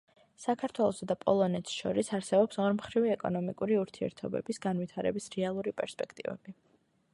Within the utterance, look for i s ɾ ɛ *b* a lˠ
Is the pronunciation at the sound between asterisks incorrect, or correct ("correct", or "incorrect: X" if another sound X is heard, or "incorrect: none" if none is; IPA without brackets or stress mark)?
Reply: incorrect: none